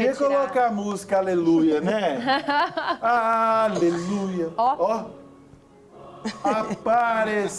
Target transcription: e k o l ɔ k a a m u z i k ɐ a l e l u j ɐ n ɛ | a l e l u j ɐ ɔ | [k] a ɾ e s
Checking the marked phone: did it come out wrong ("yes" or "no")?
yes